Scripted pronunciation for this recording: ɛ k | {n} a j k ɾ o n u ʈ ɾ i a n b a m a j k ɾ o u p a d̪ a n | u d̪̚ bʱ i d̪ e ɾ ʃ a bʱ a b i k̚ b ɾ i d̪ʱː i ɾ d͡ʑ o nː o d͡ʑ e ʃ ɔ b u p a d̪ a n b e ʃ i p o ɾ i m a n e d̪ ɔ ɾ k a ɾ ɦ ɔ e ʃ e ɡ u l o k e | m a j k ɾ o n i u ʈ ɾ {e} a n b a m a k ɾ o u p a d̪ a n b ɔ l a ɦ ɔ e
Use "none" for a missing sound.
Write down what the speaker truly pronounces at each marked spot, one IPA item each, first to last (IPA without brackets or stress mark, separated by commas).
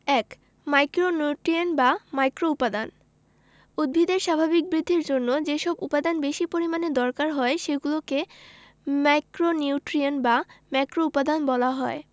m, i